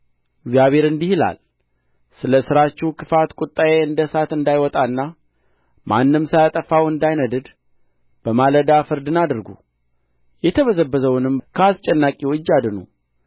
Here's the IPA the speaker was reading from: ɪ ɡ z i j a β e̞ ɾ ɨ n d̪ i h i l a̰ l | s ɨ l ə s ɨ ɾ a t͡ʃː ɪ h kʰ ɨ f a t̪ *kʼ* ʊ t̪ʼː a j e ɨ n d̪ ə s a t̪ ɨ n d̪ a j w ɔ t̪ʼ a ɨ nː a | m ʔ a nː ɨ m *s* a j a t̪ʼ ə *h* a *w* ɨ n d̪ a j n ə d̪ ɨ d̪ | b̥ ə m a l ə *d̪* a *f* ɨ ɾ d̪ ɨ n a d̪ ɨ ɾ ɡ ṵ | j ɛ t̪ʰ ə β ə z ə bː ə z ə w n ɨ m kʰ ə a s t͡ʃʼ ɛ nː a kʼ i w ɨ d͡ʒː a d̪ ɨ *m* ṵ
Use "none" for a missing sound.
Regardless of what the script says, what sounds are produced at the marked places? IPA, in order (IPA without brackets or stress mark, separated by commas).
kʼ, s, f, w, d̪, f, n